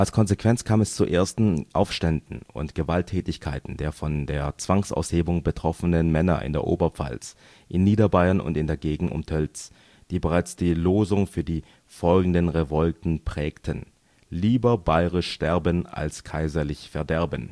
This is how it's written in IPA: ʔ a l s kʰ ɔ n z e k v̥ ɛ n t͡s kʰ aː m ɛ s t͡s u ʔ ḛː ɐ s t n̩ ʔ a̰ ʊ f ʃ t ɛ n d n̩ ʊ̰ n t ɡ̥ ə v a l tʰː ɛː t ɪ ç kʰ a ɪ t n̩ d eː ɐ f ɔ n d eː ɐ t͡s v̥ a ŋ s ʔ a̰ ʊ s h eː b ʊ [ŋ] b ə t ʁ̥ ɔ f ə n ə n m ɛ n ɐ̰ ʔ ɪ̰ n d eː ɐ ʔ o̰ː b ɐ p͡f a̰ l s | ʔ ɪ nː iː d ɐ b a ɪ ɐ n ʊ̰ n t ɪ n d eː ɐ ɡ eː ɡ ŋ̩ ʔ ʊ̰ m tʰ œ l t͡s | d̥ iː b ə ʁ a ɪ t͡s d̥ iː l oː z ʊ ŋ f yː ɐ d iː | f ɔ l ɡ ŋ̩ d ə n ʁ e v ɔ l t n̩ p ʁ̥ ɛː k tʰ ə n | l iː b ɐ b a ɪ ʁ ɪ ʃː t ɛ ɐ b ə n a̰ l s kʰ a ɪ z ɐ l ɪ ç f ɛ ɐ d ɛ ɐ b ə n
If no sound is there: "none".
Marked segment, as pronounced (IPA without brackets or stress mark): ŋ